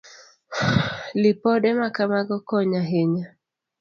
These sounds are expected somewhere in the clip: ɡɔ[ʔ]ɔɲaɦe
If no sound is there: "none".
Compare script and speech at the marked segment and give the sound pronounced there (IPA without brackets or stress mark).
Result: k